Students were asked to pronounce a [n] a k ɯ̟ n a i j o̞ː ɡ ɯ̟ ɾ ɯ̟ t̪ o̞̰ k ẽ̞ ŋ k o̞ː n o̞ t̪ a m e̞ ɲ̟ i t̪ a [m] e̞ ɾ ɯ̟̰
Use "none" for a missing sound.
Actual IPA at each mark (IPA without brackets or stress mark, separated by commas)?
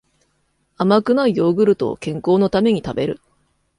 m, b